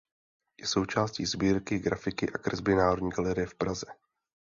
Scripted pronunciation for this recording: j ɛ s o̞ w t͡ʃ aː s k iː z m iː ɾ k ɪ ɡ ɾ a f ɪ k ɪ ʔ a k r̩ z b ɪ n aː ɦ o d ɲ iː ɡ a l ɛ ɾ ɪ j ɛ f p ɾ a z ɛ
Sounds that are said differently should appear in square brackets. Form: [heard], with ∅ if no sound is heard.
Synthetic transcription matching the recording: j ɛ s o̞ w t͡ʃ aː s [c] iː z [b] iː ɾ k ɪ ɡ ɾ a f ɪ k ɪ ʔ a k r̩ z b ɪ n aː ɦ o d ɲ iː ɡ a l ɛ ɾ ɪ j ɛ f p ɾ a z ɛ